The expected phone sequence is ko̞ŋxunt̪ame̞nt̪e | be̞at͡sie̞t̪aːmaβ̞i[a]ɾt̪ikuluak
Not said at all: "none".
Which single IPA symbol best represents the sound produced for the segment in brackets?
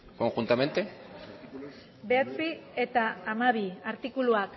a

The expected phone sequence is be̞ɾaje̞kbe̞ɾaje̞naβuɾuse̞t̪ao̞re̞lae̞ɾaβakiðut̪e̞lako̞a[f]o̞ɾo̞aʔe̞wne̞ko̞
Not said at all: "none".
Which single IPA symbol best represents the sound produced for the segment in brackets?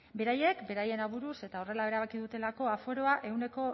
f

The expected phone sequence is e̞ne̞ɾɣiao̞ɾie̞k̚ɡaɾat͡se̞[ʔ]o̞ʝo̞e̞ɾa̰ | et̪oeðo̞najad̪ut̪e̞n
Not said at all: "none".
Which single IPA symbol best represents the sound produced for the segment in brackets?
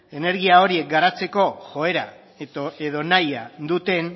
k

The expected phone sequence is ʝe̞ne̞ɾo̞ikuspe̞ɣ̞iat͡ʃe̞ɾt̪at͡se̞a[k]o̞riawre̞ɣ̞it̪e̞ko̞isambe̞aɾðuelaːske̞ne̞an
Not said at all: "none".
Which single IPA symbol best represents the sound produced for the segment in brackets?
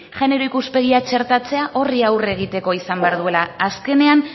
ʔ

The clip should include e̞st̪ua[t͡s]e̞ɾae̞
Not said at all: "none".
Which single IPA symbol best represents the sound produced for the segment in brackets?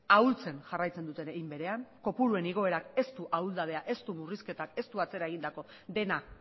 t͡s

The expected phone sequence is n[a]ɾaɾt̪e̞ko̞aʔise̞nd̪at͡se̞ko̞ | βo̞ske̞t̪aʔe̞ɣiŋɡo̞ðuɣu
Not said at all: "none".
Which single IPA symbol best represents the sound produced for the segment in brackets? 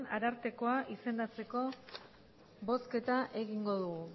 a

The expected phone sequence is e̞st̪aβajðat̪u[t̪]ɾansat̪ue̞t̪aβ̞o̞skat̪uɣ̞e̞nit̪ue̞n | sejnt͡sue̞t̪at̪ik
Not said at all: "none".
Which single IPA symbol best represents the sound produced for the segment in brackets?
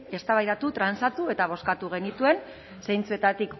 t̪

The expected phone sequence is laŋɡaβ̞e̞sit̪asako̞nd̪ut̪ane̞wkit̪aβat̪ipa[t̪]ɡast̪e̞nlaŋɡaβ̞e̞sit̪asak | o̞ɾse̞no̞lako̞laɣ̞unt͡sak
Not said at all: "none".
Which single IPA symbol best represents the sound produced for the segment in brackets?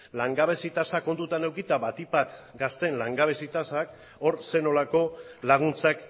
t̪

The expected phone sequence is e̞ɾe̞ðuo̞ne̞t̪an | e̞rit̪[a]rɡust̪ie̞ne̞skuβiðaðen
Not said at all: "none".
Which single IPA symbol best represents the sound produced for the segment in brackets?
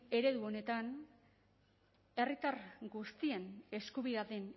a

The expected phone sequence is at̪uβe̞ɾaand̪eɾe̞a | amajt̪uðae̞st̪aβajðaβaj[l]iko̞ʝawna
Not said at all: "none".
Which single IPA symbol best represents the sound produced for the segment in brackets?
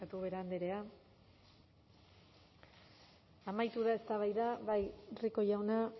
r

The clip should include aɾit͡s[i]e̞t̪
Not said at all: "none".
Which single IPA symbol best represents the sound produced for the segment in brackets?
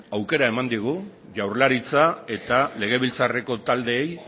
a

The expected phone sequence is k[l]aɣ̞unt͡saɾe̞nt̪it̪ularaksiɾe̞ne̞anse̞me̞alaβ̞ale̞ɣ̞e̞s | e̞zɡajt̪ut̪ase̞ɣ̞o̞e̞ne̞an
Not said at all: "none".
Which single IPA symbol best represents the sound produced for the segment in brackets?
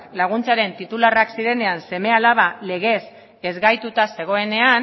l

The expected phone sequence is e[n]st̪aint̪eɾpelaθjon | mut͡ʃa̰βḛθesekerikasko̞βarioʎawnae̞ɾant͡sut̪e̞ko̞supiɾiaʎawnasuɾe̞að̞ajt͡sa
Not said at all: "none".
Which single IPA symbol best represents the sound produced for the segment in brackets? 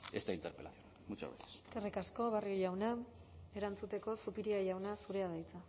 none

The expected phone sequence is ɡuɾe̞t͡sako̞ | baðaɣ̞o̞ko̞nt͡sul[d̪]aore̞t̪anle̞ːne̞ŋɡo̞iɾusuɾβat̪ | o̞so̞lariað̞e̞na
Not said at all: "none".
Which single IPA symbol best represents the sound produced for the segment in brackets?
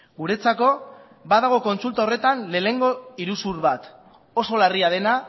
t̪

